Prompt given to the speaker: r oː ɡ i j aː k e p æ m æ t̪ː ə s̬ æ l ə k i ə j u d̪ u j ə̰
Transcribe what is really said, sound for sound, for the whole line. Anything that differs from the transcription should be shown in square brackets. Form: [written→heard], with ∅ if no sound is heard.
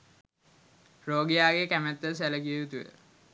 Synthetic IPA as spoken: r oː ɡ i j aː [k→ɡ] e [p→k] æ m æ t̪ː ə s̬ æ l ə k i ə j u [d̪→t̪] u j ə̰